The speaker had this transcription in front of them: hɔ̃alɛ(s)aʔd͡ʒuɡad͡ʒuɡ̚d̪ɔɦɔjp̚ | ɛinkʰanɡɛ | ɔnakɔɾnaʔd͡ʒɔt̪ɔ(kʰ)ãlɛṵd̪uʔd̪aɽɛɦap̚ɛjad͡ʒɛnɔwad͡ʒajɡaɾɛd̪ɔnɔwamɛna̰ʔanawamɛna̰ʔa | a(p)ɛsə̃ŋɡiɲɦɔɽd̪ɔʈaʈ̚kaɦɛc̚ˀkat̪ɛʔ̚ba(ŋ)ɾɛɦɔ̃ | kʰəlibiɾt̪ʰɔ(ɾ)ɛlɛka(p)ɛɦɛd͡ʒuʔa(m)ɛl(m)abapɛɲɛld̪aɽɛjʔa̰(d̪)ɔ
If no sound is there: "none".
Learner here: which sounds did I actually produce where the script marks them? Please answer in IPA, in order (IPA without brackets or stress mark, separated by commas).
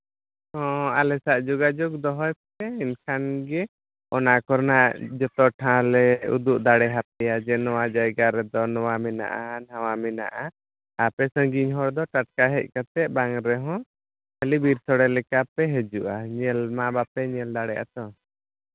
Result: s, ʈʰ, p, ŋ, ɽ, p, ɲ, m, t̪